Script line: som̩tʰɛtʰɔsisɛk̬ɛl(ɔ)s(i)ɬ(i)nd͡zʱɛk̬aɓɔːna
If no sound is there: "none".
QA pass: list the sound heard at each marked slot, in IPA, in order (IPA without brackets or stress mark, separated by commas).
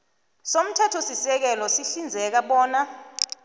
ɔ, i, i